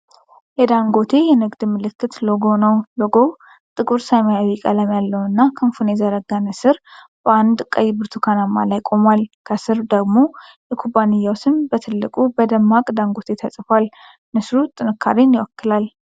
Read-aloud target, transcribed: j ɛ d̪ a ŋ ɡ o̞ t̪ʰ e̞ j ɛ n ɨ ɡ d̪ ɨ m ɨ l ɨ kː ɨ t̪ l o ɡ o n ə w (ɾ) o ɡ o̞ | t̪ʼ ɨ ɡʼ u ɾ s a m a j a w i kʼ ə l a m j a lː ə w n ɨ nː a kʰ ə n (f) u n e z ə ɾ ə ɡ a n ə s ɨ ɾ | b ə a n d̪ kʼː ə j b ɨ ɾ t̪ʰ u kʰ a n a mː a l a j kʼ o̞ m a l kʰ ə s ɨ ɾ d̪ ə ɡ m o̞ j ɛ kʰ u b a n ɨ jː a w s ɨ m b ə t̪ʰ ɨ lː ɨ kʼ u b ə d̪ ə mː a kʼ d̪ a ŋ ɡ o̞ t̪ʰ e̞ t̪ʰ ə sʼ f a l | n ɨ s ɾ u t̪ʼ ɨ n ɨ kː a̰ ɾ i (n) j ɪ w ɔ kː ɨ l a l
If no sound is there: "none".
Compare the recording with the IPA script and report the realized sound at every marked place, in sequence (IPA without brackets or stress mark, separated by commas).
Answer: l, f, n